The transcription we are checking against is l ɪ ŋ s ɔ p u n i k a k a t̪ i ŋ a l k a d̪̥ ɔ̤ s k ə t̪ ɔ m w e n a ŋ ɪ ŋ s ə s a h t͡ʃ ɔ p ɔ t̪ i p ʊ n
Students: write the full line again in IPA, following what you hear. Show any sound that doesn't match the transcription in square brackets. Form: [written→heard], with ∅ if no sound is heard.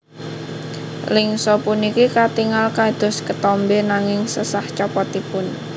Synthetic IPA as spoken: l ɪ ŋ s ɔ p u n i k [a→i] k a t̪ i ŋ a l k a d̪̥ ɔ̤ s k ə t̪ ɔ m [w→b] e n a ŋ ɪ ŋ s ə s a h t͡ʃ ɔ p ɔ t̪ i p ʊ n